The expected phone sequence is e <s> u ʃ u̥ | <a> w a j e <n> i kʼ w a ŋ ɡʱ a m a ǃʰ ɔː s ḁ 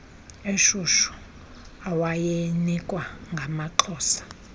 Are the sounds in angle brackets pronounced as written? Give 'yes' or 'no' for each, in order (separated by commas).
no, yes, yes